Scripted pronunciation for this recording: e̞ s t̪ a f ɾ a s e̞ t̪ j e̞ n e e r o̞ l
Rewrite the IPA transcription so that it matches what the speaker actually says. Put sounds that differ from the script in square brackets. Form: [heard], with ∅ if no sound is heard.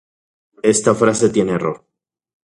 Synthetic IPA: e̞ s t̪ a f ɾ a s e̞ t̪ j e̞ n e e r o̞ [ɾ]